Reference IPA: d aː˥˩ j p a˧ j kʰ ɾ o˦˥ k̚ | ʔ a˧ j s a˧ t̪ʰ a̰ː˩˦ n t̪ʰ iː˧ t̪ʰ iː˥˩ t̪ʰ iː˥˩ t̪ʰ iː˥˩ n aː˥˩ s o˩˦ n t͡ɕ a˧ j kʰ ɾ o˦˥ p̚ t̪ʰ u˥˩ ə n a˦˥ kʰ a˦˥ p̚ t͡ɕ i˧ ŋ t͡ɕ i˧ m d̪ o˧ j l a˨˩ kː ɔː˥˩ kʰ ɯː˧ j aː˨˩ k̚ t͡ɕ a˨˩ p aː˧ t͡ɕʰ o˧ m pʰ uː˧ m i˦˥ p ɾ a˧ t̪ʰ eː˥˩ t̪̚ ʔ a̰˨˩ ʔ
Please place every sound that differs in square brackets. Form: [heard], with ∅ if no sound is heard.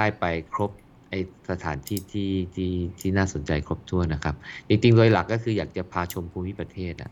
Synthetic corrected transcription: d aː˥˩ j p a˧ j kʰ ɾ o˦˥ [p̚] | ʔ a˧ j s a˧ t̪ʰ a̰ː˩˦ n t̪ʰ [iː˥˩] t̪ʰ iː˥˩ t̪ʰ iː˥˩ t̪ʰ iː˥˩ n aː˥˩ s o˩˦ n t͡ɕ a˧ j kʰ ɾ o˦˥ p̚ t̪ʰ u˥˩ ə n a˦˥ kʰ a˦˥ p̚ t͡ɕ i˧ ŋ t͡ɕ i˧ [ŋ] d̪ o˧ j l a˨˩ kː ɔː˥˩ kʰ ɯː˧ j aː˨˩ k̚ t͡ɕ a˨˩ [pʰ] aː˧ t͡ɕʰ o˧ m pʰ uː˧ m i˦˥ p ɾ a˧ t̪ʰ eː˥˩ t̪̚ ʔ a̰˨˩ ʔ